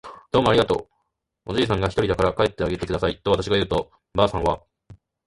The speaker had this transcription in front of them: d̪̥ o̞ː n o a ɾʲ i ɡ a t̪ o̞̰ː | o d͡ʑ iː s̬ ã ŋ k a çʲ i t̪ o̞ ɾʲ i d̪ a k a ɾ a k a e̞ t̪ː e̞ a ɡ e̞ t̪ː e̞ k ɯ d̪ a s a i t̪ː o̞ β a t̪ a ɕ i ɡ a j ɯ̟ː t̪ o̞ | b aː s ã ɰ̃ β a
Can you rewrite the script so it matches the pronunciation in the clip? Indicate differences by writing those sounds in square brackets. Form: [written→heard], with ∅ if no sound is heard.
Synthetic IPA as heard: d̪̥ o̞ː [n→m] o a ɾʲ i ɡ a t̪ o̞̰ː | o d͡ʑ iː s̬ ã ŋ [k→ɡ] a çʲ i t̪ o̞ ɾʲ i d̪ a k a ɾ a k a e̞ t̪ː e̞ a ɡ e̞ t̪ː e̞ k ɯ d̪ a s a i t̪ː o̞ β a t̪ a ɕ i ɡ a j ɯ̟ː t̪ o̞ | b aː s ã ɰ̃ β a